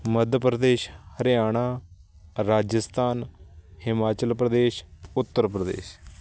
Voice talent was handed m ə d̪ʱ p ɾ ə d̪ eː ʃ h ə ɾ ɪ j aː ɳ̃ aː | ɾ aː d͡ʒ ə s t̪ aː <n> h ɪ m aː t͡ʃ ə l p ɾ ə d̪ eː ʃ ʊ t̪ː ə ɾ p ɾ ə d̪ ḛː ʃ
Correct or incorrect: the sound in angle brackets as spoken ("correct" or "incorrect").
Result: correct